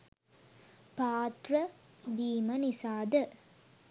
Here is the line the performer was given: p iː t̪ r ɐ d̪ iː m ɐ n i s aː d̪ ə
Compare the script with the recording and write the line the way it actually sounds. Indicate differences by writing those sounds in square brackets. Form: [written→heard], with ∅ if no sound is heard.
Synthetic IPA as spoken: p [iː→aː] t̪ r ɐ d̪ iː m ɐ n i s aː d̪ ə